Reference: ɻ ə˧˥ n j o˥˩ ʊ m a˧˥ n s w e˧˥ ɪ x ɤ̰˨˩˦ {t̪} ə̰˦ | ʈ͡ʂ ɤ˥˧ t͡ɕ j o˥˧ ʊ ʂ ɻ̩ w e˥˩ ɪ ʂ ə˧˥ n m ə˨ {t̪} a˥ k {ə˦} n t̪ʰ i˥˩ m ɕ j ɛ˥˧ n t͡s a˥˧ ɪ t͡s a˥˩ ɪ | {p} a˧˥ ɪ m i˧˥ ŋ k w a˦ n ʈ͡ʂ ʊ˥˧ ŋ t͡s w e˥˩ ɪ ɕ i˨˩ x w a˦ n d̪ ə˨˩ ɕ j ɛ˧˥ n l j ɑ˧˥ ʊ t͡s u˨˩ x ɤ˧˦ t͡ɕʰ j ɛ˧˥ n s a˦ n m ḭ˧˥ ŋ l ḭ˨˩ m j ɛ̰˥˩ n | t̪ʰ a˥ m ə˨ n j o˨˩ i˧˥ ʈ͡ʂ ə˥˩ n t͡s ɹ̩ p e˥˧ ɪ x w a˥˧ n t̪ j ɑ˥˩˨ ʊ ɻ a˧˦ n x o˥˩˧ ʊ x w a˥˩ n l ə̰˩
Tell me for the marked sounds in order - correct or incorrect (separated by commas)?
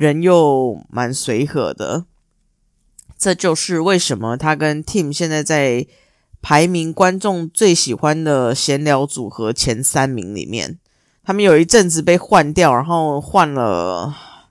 incorrect, incorrect, correct, incorrect